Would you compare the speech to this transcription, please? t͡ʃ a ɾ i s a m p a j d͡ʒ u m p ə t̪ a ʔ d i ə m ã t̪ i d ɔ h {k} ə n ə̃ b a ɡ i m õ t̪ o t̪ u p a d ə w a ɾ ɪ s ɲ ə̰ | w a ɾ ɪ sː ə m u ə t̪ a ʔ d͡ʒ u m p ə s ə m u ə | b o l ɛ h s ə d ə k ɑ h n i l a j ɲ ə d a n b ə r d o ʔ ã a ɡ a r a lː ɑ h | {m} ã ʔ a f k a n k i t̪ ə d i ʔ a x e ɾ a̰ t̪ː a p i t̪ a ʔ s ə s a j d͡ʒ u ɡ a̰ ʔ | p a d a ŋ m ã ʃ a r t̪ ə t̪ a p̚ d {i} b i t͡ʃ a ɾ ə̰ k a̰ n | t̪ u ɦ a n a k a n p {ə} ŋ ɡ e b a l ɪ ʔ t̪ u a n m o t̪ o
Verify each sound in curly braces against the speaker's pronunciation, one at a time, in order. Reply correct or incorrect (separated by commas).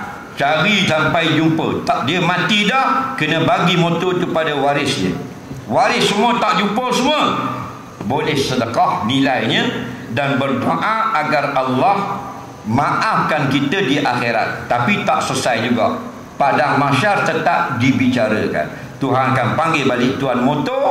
correct, correct, correct, incorrect